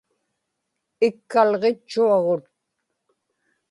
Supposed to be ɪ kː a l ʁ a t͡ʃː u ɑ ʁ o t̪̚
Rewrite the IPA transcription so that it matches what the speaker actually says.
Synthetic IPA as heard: ɪ kː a l ʁ e t͡ʃː u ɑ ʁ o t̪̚